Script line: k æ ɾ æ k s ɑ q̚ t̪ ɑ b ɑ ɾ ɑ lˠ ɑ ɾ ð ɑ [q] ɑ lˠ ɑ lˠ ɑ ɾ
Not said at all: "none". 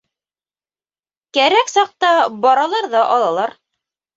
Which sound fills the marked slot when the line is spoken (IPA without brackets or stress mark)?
ʔ